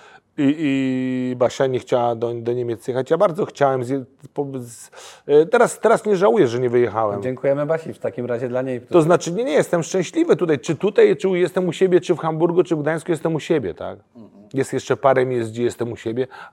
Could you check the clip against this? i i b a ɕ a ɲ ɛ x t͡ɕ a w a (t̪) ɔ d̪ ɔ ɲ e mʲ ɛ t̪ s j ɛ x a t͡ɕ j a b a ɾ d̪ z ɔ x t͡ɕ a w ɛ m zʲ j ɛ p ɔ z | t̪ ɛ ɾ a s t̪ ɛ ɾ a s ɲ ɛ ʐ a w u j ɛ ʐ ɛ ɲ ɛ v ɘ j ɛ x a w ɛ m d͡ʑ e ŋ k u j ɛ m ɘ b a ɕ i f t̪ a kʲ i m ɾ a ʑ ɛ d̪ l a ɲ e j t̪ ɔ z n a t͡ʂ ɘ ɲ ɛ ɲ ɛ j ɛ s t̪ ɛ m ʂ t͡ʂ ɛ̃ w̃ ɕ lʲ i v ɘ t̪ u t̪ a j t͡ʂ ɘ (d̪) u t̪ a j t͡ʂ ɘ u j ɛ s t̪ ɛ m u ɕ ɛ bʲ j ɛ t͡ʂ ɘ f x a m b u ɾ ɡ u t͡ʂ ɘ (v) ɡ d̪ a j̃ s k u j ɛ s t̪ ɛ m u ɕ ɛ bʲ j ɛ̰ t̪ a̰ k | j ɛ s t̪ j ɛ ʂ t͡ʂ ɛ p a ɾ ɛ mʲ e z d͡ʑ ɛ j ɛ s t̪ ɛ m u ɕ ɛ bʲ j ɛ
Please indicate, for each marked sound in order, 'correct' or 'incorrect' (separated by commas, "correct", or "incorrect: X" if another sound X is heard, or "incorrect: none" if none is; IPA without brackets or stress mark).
incorrect: d̪, incorrect: t̪, correct